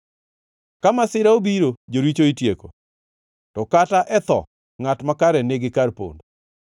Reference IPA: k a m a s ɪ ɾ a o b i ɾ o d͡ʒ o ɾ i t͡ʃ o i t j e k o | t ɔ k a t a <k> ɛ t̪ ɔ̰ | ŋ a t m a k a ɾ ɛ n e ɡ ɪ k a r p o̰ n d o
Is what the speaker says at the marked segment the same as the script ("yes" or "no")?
no